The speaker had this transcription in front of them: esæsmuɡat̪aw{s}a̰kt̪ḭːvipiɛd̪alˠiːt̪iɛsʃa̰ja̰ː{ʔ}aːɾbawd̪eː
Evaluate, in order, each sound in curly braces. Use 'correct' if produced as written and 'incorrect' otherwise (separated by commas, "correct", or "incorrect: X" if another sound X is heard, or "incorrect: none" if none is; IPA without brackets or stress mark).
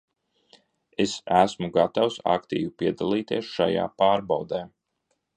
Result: correct, incorrect: p